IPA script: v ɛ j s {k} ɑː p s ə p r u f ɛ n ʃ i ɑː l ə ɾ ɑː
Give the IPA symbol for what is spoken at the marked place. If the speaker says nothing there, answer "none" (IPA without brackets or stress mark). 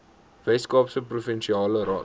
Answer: k